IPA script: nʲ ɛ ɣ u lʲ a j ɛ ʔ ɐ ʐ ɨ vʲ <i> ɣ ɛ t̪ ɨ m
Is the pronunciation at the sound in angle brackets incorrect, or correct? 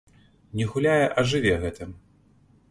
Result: incorrect